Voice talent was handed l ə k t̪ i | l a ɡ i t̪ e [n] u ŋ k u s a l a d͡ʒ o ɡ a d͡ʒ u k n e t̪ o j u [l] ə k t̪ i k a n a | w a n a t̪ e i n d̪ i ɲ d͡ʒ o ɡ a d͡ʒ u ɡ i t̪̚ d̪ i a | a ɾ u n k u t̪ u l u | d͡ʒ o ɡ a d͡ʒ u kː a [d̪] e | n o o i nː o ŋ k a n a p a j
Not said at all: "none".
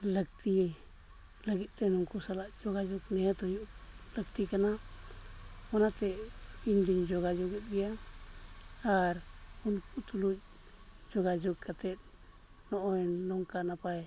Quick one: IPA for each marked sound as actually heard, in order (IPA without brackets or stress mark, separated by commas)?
n, l, t̪